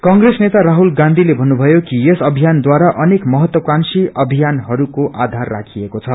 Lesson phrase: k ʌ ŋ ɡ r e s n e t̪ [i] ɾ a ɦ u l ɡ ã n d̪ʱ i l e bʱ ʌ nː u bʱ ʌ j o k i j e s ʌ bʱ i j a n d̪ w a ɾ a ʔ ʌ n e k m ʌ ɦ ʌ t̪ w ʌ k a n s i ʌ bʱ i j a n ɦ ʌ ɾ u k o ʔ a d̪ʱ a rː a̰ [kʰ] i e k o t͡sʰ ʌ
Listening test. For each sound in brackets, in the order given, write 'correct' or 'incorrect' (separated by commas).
incorrect, correct